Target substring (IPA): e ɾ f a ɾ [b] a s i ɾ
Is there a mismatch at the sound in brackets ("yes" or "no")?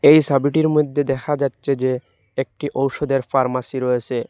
yes